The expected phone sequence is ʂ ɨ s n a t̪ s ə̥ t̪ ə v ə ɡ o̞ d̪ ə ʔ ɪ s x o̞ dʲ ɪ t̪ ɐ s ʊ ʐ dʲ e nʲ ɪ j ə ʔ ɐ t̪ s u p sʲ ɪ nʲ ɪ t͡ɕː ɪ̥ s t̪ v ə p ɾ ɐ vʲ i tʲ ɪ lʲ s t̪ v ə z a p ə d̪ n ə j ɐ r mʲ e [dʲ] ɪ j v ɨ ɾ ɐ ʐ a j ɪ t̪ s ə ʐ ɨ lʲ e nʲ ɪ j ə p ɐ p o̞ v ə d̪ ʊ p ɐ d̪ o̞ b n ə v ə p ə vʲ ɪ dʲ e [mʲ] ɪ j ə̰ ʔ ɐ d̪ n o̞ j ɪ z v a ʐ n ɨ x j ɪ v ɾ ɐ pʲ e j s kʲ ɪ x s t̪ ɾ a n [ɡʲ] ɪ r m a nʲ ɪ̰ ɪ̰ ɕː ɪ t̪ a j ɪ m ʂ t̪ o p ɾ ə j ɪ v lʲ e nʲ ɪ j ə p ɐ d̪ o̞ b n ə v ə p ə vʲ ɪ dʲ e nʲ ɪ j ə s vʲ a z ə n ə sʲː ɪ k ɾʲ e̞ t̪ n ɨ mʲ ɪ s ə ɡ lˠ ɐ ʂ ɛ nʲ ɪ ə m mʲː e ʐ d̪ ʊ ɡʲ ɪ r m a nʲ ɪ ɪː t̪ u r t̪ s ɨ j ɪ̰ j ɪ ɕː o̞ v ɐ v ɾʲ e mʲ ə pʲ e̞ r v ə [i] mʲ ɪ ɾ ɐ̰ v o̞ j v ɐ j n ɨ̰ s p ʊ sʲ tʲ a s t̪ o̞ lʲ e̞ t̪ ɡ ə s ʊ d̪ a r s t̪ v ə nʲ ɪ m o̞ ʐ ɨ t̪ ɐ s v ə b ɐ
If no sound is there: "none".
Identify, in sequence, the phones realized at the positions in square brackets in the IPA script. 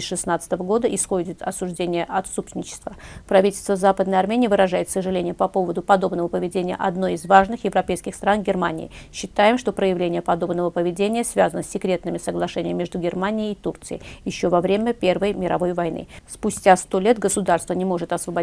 nʲ, nʲ, ɡʲ, j

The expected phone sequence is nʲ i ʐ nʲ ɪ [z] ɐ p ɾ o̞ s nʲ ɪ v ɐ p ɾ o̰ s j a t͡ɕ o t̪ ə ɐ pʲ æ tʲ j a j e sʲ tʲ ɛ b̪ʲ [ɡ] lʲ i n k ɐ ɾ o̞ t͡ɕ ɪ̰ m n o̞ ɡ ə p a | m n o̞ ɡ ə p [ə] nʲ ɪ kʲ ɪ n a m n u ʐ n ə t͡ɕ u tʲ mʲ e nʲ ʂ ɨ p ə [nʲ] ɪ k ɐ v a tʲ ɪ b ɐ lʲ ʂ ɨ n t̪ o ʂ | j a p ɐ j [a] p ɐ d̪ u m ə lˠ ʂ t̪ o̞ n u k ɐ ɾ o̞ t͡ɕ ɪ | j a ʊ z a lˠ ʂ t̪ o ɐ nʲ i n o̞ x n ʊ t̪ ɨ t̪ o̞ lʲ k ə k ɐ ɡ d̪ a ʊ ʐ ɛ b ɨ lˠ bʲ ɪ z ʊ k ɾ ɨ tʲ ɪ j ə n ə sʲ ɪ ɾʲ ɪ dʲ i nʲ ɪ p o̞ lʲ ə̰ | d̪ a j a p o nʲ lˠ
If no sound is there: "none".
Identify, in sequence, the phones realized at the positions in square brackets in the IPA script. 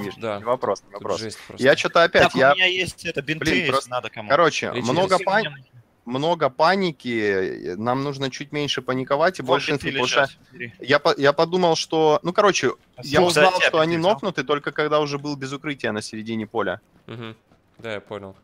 v, b, a, nʲ, a

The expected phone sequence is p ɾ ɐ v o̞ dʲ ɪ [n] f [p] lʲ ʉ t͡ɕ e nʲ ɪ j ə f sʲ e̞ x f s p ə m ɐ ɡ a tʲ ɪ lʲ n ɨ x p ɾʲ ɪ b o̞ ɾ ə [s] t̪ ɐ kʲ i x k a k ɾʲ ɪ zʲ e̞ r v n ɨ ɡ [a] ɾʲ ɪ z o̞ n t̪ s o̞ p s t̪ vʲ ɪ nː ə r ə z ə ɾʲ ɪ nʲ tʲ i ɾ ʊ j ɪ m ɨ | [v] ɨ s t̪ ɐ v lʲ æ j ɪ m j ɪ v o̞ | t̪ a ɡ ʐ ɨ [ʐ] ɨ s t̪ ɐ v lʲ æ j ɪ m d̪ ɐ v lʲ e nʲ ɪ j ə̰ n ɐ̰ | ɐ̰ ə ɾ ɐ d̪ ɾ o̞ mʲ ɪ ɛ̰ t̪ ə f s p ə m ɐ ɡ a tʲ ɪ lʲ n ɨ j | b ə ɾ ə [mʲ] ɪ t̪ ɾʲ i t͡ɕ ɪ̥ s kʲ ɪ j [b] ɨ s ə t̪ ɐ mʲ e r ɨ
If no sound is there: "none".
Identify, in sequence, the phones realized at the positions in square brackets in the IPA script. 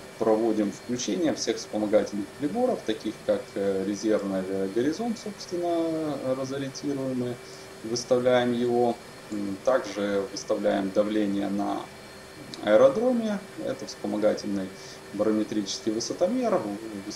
m, k, f, ə, v, v, mʲ, v

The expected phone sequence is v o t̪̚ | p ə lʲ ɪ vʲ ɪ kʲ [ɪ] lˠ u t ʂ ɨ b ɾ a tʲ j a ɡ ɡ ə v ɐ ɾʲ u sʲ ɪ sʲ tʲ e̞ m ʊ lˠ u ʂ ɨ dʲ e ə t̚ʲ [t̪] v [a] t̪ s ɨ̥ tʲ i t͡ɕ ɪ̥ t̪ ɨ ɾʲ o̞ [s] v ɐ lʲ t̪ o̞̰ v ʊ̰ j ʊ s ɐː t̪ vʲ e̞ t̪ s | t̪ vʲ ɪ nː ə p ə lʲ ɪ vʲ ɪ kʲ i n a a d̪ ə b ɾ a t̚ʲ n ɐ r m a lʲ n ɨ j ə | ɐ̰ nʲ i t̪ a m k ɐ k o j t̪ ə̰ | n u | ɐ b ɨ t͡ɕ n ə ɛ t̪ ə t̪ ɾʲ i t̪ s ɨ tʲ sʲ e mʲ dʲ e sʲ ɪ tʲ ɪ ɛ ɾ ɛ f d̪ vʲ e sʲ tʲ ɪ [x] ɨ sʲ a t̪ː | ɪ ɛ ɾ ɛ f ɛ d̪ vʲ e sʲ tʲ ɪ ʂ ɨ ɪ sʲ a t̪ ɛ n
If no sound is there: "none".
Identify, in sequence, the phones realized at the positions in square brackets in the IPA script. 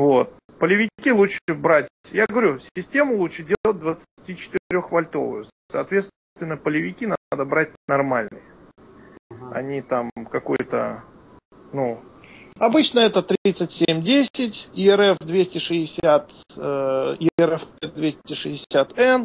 i, d̪, ə, x, ʂ

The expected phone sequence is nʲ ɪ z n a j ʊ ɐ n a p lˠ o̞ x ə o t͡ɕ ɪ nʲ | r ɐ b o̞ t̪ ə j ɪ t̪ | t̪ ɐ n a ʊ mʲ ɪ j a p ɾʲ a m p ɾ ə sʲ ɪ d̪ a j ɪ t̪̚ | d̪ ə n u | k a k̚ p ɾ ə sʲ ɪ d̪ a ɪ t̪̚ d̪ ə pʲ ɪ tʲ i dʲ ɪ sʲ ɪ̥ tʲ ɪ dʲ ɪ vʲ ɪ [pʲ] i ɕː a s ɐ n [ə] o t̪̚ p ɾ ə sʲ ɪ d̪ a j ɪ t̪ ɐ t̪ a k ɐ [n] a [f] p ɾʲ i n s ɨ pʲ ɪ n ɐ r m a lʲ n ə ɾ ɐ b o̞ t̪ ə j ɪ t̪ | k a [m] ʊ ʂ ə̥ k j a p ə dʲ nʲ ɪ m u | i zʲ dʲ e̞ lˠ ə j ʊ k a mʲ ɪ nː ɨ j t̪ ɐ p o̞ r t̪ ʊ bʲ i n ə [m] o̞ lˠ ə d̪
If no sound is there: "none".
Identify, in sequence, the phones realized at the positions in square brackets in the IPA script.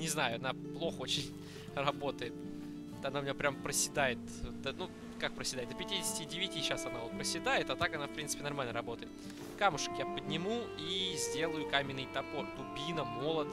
tʲ, a, n, f, m, m

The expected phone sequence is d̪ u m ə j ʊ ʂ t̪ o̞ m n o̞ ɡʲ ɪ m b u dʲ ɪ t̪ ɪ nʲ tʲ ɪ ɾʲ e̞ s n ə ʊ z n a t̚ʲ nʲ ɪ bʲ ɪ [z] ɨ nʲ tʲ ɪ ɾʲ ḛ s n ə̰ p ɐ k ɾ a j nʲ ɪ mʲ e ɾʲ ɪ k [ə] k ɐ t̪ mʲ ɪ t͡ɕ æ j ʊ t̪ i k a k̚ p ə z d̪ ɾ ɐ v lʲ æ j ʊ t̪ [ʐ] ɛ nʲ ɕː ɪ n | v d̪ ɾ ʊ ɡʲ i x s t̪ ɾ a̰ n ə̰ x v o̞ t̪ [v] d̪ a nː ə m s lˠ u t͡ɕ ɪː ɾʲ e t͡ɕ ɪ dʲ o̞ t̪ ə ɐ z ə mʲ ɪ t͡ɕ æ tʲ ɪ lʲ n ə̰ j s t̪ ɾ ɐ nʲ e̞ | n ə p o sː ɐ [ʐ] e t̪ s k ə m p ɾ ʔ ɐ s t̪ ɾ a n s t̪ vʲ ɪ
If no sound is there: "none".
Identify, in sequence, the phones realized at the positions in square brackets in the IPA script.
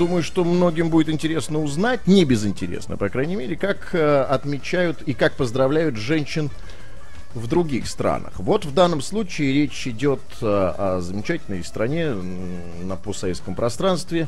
z, a, ʐ, v, v

